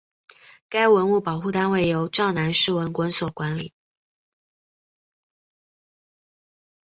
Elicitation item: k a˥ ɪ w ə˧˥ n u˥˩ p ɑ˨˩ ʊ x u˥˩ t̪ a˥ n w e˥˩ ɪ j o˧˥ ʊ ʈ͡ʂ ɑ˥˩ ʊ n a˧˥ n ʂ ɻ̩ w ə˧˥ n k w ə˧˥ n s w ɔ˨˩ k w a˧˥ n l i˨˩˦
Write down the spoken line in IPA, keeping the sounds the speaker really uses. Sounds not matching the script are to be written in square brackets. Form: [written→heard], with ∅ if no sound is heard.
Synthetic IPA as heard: k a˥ ɪ w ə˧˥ n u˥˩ p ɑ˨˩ ʊ x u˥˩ t̪ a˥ n w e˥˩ ɪ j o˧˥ ʊ ʈ͡ʂ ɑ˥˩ ʊ n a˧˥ n ʂ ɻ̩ w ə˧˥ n k w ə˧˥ n s w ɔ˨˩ k w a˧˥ n l i˨˩˦